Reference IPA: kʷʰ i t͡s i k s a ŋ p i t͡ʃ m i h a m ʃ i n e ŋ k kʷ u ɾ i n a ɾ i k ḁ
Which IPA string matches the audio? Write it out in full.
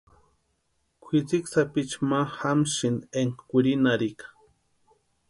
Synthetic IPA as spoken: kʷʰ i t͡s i k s a p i t͡ʃ m a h a m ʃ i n e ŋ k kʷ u ɾ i n a ɾ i k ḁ